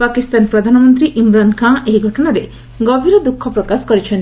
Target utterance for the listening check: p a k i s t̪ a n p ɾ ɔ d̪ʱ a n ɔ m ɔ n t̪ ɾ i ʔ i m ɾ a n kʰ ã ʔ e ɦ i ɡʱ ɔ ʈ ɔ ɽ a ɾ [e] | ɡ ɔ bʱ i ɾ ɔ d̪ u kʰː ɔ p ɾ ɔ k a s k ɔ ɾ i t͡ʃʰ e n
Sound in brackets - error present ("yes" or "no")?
no